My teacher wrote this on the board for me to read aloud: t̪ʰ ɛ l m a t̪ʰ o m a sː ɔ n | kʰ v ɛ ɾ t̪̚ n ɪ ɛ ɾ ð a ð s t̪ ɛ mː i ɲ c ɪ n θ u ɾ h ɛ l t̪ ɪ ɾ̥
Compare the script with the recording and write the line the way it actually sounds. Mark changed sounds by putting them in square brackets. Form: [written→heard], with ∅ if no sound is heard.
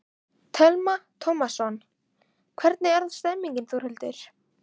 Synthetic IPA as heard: t̪ʰ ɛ l m a t̪ʰ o m a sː ɔ n | kʰ v ɛ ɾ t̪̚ n ɪ ɛ ɾ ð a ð s t̪ ɛ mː i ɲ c ɪ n θ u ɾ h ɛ l t̪ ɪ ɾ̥

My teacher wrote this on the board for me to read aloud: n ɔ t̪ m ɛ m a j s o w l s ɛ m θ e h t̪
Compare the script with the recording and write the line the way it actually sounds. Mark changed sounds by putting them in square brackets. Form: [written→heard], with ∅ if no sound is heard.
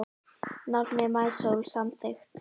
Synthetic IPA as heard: n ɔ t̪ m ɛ m a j s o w l s [ɛ→a] m θ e [h→x] t̪

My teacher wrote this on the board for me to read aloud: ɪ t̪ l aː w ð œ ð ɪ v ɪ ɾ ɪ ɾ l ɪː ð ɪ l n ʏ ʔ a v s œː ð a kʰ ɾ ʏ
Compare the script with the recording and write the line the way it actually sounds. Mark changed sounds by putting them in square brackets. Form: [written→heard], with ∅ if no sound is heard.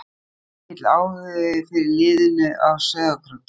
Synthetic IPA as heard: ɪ t̪ l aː w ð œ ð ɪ [v→f] ɪ ɾ ɪ ɾ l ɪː ð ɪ [l→∅] n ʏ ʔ a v s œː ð a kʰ ɾ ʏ

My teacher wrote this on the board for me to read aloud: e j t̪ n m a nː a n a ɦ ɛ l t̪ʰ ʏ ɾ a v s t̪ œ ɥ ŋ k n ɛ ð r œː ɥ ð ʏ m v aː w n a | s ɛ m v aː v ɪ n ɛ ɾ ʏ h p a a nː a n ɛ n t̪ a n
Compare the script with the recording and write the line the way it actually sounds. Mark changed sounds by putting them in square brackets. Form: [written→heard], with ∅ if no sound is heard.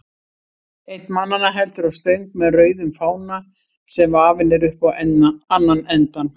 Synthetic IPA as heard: e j t̪ n m a nː a n a ɦ ɛ l [t̪ʰ→t̪] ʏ ɾ a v s t̪ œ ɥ ŋ k [n→m] ɛ ð r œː ɥ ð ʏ m [v→f] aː w n a | s ɛ m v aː v ɪ n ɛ ɾ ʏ h p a a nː a n ɛ n t̪ a n

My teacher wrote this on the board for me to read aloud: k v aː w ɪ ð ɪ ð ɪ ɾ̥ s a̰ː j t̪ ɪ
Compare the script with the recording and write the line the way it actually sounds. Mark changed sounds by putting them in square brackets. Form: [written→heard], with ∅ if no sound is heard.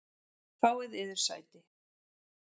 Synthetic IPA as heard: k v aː w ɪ ð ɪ ð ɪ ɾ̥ s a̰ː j t̪ ɪ

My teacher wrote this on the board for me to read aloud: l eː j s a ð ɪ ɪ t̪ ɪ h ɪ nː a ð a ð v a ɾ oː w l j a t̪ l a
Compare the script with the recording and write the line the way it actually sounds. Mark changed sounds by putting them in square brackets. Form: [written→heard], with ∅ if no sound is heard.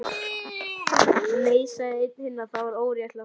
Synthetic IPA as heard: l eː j s a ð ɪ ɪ t̪ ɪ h ɪ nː a [ð→θ] a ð v a ɾ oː w [l→ɾ] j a t̪ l a

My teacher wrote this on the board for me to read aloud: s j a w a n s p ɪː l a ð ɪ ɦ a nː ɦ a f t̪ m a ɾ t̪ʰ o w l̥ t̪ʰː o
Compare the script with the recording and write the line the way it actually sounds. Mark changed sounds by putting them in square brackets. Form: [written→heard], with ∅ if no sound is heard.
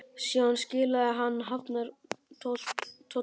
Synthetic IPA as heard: s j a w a n s [p→c] ɪː l a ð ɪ ɦ a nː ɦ a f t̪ [m→n] a ɾ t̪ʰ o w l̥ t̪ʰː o

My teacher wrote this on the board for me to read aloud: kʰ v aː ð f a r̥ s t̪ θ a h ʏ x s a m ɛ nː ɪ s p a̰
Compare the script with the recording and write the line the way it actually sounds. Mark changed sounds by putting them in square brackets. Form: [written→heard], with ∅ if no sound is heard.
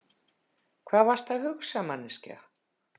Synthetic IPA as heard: kʰ v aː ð [f→v] a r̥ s t̪ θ a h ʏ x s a m [ɛ→a] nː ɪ s [p→c] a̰

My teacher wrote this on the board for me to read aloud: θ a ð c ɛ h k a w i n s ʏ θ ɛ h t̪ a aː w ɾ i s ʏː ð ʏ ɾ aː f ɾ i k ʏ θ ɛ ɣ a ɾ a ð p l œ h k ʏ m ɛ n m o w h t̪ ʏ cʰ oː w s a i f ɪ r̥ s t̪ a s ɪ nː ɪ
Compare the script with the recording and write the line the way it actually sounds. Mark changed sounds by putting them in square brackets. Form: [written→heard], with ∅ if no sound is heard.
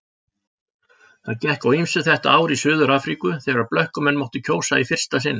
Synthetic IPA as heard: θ a ð c ɛ h k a w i [n→m] s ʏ θ ɛ h t̪ a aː w ɾ i s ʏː ð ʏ ɾ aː f ɾ i k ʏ θ ɛ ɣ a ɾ a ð p l œ h k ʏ m ɛ n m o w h t̪ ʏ cʰ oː w s a i f ɪ r̥ s t̪ a s ɪ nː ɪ

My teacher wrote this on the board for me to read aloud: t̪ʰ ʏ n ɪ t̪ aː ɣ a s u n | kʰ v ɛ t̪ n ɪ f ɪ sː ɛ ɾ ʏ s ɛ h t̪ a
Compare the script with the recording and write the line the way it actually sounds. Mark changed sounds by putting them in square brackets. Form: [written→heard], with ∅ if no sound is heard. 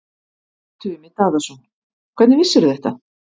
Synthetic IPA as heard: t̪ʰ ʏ [n→m] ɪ t̪ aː [ɣ→ð] a s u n | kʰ v ɛ t̪ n ɪ [f→v] ɪ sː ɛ ɾ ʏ [s→θ] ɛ h t̪ a

